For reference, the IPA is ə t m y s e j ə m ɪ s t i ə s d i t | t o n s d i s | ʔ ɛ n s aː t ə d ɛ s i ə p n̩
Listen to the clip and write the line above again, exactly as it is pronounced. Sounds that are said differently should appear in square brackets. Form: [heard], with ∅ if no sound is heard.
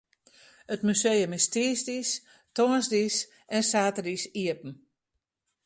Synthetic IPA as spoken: ə t m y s e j ə m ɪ s t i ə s d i [s] | t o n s d i s | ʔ ɛ n s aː t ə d [i] s i ə p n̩

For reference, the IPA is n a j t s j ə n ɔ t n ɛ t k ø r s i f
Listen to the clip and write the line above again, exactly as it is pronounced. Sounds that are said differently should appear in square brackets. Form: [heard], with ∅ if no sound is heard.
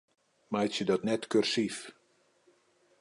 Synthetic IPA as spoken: [m] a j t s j ə [d] ɔ t n ɛ t k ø r s i f

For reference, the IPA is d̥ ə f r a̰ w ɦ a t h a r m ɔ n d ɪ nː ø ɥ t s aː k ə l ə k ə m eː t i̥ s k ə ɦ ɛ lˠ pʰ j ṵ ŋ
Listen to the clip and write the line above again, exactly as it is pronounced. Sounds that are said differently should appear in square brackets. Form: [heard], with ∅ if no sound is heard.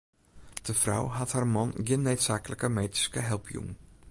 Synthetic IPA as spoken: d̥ ə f r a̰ w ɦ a t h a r m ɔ n [ɡ] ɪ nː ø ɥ t s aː k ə l ə k ə m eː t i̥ s k ə ɦ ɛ lˠ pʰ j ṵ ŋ

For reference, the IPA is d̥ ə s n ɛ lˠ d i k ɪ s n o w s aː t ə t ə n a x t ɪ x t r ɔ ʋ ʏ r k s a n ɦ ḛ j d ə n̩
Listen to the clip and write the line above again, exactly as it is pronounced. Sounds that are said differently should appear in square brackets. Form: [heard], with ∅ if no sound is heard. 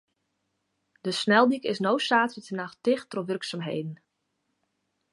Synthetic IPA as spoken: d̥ ə s n ɛ lˠ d i k ɪ s n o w s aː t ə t ə n a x t ɪ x t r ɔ ʋ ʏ r k s a [m] ɦ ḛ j d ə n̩

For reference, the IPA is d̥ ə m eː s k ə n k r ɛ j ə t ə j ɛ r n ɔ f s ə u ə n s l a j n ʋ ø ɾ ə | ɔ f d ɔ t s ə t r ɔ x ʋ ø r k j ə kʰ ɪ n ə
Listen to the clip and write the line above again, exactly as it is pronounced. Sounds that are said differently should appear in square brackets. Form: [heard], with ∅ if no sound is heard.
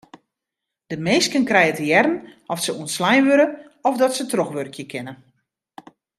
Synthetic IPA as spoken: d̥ ə m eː s k ə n k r ɛ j ə t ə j ɛ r n ɔ f s ə u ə n s l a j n ʋ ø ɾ ə | ɔ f d ɔ t s ə t r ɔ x ʋ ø r k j ə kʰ ɪ n ə

